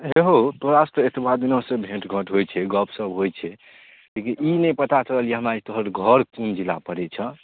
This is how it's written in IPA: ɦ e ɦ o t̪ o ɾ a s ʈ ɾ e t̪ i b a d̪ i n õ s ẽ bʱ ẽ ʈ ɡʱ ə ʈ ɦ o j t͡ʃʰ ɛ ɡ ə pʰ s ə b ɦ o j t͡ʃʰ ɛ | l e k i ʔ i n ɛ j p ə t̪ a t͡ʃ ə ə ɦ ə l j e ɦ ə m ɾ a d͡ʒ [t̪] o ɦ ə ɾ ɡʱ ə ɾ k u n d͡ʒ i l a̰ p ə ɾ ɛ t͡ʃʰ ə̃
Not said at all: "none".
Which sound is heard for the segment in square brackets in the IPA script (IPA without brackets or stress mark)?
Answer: t̪